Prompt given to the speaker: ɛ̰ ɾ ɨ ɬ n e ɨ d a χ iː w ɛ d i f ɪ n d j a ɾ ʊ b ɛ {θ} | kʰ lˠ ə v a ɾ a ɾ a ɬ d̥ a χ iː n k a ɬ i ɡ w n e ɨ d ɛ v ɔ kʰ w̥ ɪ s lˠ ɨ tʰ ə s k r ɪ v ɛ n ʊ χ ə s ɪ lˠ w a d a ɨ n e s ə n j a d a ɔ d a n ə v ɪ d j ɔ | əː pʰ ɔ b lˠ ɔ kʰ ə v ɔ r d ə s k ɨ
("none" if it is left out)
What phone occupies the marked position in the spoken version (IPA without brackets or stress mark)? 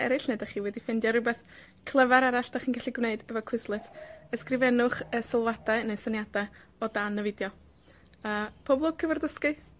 θ